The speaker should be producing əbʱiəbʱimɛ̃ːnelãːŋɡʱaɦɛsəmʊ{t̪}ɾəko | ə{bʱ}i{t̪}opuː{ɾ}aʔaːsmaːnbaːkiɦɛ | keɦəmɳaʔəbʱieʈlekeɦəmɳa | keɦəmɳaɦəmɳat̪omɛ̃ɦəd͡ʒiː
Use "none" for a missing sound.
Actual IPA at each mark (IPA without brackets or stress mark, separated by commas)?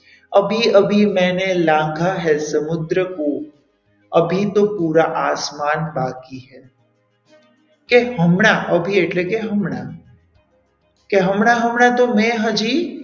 d̪, bʱ, t̪, ɾ